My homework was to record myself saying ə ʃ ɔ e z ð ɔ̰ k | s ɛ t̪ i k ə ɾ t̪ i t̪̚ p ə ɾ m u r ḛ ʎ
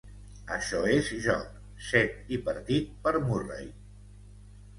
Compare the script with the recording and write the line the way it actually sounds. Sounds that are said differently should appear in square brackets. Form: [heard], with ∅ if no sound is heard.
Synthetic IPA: ə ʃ ɔ e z [ʒ] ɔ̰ k | s ɛ t̪ i [p] ə ɾ t̪ i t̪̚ p ə ɾ m u r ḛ [j]